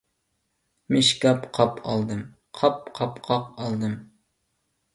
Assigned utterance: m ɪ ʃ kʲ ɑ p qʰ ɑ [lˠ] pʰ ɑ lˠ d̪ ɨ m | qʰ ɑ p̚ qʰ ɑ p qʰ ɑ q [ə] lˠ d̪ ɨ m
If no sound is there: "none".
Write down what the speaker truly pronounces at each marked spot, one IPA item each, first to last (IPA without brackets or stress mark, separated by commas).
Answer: none, ɑ